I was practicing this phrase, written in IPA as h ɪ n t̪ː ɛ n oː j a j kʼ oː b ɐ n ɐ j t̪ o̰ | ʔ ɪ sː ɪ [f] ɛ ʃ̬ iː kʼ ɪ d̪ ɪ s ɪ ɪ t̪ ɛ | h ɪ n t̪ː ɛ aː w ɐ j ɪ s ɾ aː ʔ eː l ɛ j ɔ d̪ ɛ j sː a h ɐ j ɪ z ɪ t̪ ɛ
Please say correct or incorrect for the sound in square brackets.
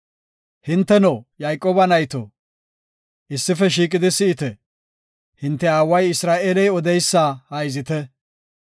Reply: correct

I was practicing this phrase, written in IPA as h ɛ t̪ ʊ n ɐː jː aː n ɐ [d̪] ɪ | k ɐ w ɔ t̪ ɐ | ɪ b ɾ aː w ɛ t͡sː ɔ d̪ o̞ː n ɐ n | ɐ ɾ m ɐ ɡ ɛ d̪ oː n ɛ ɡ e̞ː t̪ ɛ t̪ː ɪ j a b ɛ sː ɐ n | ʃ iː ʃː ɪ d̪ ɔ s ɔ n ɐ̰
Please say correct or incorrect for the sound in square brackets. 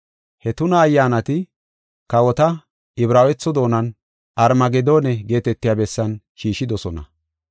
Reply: incorrect: t̪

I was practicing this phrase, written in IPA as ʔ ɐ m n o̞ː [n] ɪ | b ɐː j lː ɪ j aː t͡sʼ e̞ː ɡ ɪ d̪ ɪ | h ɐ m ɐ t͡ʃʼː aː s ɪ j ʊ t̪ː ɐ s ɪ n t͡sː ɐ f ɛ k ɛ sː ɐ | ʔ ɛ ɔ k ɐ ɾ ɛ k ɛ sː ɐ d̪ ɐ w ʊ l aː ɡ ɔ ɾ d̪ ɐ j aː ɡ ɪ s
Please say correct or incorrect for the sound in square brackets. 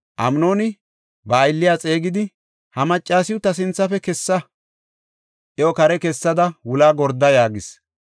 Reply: correct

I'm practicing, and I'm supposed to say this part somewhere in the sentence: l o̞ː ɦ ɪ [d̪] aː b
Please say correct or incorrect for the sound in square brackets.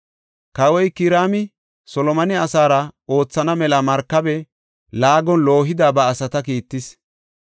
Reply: correct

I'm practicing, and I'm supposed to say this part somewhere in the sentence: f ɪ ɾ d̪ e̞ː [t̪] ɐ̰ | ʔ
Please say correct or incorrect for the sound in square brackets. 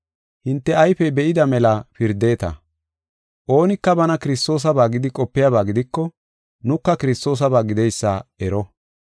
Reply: correct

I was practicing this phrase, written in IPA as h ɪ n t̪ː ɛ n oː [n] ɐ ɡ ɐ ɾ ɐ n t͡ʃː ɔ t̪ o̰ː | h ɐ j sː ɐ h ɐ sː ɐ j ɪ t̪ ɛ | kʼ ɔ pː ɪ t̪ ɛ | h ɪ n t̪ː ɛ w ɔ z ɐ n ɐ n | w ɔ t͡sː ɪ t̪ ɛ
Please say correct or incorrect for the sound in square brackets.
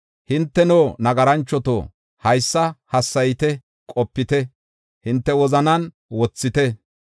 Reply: correct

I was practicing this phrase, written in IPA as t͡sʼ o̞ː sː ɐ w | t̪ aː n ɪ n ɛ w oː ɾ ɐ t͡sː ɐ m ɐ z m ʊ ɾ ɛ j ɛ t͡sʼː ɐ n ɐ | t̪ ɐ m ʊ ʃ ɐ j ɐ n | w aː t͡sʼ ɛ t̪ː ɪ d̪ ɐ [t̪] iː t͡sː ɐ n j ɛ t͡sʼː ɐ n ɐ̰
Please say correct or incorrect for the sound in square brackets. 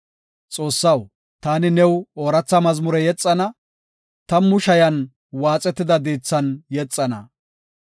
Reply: incorrect: d̪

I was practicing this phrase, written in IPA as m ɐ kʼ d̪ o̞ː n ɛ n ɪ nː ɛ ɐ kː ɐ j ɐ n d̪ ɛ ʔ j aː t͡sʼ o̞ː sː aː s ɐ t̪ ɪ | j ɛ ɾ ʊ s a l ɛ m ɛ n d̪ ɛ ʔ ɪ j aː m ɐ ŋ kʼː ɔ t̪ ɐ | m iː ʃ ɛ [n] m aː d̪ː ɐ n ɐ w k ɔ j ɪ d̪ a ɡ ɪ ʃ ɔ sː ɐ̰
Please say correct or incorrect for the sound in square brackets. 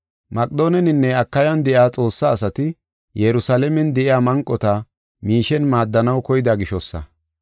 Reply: correct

